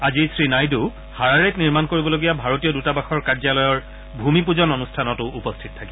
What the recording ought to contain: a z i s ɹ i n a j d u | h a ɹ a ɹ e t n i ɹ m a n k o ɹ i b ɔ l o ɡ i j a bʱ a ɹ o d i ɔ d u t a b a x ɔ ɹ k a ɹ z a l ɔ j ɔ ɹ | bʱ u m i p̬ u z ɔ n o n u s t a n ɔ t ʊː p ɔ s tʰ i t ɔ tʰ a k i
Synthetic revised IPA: a z i s ɹ i n a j d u | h a ɹ a ɹ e t n i ɹ m a n k o ɹ i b ɔ l o ɡ i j a bʱ a ɹ o t i ɔ d u t a b a x ɔ ɹ k a ɹ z a l ɔ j ɔ ɹ | bʱ u m i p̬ u z ɔ n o n u s tʰ a n ɔ t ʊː p ɔ s tʰ i t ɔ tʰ a k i